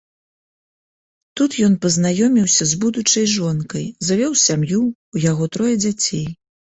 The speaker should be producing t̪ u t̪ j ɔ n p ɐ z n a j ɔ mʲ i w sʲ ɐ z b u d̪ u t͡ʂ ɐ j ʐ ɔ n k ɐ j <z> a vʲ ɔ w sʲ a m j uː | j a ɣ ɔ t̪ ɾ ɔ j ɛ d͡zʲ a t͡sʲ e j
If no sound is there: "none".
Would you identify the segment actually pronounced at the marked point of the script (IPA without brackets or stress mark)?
z